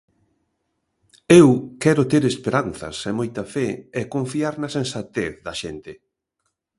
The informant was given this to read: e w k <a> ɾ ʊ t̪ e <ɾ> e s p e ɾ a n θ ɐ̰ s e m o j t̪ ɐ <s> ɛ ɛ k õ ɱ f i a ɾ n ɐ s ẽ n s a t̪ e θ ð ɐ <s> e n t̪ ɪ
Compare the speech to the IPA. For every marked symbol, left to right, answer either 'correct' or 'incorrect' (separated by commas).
incorrect, correct, incorrect, incorrect